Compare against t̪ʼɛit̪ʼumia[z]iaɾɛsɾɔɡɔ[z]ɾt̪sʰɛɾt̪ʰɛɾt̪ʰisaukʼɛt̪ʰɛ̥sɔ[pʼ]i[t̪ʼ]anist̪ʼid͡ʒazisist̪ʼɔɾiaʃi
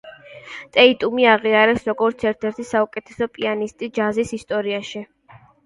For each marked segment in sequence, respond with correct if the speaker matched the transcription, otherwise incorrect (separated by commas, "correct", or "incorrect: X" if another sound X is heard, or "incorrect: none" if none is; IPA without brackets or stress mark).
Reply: incorrect: ʁ, incorrect: none, correct, incorrect: none